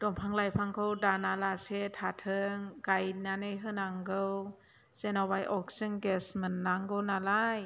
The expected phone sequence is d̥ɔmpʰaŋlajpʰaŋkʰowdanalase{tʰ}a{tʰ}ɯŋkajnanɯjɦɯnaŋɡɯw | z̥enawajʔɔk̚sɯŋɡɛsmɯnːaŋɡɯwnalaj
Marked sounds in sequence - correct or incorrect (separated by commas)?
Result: correct, correct